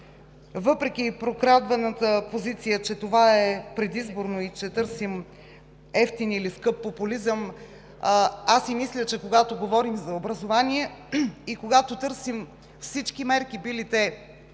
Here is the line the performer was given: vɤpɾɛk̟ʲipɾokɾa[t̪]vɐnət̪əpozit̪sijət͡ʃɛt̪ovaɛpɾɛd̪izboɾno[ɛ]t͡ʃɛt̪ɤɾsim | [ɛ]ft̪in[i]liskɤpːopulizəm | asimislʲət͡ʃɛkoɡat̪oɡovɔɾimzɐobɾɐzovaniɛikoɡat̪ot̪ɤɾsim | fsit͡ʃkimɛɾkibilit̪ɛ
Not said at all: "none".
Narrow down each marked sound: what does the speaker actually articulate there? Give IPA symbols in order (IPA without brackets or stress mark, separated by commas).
d̪, i, ɛ, i